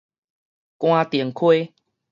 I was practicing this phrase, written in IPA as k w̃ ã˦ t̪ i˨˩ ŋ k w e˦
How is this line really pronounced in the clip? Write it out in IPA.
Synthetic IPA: k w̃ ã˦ t̪ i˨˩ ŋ kʰ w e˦